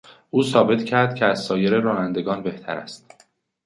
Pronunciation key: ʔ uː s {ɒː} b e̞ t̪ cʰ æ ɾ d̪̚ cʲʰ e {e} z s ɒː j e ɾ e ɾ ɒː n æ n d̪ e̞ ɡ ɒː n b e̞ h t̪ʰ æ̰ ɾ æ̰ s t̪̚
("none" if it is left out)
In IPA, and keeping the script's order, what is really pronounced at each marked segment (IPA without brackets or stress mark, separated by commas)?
ɒː, æ